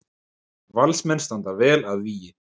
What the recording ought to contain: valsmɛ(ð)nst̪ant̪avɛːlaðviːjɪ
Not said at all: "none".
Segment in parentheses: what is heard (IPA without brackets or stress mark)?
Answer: none